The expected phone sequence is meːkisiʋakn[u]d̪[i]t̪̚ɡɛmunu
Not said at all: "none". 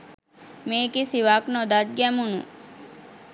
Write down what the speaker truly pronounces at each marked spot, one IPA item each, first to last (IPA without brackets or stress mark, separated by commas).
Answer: o, a